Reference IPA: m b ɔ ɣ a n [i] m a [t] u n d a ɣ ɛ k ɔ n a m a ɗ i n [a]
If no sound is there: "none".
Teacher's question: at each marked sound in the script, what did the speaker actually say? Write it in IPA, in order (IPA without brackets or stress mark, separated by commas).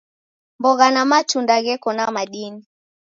a, t͡ʃ, i